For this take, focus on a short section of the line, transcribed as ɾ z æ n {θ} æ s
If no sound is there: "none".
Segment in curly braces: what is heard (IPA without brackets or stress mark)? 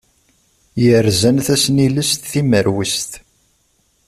θ